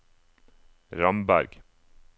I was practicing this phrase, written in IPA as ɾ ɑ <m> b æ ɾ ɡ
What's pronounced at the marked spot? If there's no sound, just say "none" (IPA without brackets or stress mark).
m